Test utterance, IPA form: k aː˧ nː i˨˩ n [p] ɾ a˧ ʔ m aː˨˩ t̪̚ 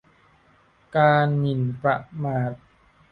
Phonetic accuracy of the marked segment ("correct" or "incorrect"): correct